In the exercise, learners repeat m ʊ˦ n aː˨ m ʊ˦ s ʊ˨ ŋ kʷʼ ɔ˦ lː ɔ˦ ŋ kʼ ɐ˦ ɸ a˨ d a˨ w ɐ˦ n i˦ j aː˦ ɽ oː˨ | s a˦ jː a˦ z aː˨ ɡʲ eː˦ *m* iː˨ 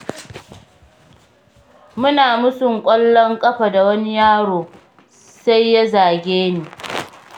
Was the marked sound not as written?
yes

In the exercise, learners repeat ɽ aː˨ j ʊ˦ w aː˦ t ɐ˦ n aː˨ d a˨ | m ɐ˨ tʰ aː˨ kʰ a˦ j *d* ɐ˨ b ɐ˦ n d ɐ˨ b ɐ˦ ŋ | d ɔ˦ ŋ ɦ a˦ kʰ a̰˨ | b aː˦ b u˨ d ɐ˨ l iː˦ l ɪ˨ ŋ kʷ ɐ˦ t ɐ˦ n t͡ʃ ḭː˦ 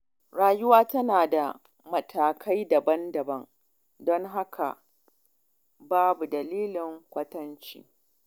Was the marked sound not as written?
no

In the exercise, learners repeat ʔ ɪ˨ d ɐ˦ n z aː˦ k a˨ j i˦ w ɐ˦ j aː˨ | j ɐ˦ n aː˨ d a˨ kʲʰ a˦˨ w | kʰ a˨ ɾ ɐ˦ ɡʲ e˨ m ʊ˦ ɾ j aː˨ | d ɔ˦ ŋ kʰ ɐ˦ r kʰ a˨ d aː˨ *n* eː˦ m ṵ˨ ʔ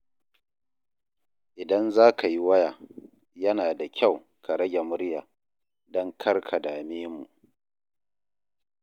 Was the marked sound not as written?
yes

